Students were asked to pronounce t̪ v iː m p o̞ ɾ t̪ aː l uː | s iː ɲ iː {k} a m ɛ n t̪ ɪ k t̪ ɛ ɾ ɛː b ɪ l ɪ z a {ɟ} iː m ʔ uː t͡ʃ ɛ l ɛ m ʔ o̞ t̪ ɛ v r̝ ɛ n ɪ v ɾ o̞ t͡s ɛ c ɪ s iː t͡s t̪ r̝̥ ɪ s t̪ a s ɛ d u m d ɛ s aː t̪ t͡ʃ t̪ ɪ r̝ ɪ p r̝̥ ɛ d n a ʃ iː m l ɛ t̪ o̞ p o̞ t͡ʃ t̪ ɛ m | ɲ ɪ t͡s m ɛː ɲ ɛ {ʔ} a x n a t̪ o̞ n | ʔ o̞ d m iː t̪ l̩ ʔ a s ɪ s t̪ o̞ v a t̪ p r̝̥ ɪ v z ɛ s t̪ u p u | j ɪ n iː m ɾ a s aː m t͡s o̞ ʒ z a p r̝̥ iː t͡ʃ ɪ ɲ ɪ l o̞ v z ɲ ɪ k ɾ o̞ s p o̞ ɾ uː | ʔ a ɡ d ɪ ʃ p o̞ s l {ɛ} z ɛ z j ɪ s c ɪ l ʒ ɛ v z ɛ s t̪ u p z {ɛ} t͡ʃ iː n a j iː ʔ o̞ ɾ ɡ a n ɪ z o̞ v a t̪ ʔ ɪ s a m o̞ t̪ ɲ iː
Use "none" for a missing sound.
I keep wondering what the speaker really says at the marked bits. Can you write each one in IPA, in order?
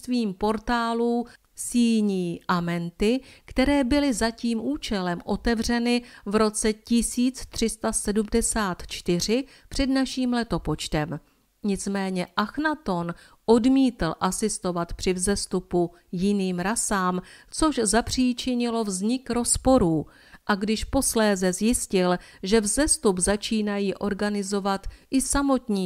ʔ, c, ʔ, ɛː, a

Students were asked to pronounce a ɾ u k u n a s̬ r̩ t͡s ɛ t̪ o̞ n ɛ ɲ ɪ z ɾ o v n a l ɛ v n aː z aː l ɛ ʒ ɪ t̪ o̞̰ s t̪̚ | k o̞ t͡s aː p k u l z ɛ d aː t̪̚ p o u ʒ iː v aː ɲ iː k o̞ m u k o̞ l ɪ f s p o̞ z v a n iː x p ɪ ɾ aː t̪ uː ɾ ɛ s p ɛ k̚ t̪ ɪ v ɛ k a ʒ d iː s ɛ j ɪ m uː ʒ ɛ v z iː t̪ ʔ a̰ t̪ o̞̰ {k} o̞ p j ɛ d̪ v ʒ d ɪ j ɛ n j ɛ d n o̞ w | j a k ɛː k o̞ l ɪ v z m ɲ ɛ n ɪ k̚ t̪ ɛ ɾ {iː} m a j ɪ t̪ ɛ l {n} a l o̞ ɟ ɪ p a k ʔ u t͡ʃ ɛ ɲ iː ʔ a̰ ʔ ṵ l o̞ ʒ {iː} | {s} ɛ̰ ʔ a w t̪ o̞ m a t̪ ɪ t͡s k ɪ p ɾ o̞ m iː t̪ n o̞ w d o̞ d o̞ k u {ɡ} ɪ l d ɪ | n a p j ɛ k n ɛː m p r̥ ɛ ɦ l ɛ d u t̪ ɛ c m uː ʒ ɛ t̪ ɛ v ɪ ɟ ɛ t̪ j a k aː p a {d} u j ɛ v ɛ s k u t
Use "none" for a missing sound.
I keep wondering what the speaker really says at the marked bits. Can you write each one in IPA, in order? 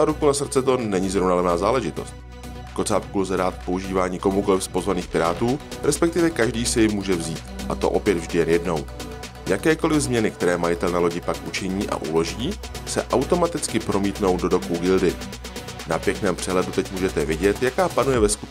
ʔ, ɛː, n, iː, s, ɡ, n

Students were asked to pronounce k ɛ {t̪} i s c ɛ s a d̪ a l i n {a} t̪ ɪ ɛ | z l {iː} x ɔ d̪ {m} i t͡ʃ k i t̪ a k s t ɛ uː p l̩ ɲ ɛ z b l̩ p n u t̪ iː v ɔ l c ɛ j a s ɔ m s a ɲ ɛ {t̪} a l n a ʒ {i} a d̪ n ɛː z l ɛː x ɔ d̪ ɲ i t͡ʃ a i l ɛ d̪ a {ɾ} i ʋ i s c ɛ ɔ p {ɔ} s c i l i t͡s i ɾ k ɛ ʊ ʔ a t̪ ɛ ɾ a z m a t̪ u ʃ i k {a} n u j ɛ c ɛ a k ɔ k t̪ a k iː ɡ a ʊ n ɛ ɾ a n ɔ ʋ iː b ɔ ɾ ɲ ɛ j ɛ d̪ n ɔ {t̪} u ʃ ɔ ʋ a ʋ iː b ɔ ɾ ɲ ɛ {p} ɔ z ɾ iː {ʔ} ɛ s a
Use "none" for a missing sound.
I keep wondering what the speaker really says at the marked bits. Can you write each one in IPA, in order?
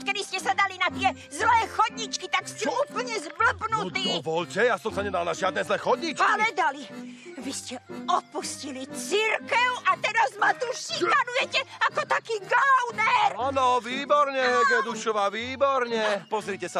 d̪, a, ɛː, ɲ, d̪, ɪ, l, u, a, d̪, p, c

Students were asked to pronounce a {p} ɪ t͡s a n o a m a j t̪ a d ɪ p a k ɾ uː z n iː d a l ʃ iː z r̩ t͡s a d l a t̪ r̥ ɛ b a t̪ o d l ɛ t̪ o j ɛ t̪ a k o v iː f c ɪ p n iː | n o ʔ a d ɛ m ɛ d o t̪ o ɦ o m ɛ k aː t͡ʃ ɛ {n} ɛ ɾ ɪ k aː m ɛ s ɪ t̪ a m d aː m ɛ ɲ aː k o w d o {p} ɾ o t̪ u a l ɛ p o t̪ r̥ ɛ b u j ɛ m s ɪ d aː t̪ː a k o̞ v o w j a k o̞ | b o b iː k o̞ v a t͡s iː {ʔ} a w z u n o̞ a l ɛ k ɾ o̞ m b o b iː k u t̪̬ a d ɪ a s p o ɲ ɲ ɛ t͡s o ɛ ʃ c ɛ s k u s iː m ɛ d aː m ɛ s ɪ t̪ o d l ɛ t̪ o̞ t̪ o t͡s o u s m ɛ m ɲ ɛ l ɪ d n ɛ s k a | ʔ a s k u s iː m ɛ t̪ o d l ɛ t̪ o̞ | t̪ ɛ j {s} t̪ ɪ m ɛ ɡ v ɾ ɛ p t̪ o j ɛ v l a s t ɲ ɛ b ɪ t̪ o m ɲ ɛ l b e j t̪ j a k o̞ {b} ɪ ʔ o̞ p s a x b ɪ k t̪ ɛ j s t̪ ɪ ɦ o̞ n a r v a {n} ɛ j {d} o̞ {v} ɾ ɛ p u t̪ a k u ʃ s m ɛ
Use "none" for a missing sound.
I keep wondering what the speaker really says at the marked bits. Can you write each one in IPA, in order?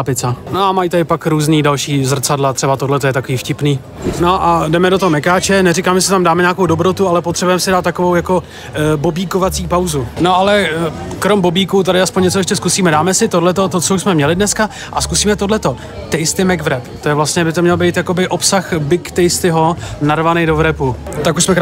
p, n, b, p, s, b, n, d, v

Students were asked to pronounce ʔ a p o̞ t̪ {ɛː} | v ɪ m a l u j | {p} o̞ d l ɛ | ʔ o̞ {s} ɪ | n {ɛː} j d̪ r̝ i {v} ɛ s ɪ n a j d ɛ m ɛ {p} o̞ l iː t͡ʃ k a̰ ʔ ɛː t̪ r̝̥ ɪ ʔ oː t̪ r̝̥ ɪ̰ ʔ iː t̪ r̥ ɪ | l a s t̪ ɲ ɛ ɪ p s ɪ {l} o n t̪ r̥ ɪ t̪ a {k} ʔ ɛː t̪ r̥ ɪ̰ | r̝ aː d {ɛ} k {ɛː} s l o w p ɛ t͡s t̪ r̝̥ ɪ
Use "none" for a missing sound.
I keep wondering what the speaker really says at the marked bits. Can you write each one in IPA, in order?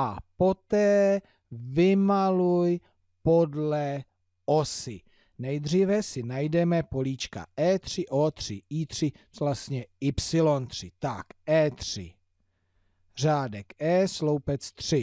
ɛː, p, s, ɛ, v, p, l, k, ɛ, ɛː

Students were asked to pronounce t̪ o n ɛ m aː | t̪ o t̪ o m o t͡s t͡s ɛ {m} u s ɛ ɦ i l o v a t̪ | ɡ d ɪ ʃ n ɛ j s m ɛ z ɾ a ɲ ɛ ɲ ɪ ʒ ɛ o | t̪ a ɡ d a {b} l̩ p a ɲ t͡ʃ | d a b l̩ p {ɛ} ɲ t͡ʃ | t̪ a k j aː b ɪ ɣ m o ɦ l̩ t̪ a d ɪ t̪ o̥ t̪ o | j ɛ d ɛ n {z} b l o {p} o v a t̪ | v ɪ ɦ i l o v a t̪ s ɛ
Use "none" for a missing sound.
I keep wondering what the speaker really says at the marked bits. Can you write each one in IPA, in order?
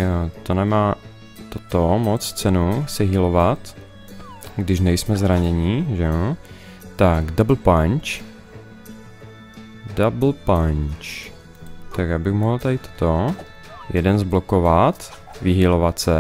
n, b, a, z, k

